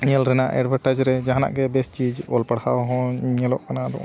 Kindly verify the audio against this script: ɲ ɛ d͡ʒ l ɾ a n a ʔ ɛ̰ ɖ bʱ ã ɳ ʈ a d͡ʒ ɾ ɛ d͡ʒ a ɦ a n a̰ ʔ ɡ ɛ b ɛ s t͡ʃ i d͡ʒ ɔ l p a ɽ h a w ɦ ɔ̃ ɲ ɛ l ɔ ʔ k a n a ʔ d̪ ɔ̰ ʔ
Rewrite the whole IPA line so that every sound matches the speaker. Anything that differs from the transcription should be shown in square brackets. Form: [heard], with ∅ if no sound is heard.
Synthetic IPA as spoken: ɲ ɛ [∅] l ɾ [ɛ] n a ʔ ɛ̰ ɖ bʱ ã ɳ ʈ a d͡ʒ ɾ ɛ d͡ʒ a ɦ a n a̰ ʔ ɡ ɛ b ɛ s t͡ʃ i d͡ʒ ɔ l p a ɽ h a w ɦ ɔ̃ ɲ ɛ l ɔ ʔ k a n a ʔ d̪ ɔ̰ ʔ